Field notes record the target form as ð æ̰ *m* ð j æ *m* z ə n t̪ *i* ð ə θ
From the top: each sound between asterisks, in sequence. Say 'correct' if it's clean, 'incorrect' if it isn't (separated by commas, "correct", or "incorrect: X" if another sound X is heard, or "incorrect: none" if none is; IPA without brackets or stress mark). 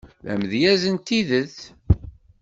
correct, incorrect: none, correct